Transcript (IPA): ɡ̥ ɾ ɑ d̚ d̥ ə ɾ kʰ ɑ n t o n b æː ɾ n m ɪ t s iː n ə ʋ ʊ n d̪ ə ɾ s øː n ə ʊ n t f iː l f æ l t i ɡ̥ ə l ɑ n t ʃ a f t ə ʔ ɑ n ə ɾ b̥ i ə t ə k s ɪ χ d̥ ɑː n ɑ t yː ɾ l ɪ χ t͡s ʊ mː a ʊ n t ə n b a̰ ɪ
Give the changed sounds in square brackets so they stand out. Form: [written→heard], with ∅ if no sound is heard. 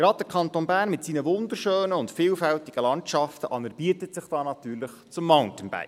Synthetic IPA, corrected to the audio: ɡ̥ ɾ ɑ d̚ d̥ ə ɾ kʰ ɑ n t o n b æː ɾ n m ɪ t s iː n ə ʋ ʊ n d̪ ə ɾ [s→ʃ] øː n ə ʊ n t f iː l f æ l t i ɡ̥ ə l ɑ n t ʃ [a→ɑ] f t ə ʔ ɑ n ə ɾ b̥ i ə t ə [k→t] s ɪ χ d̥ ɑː n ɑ t yː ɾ l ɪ χ t͡s ʊ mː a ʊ n t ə n b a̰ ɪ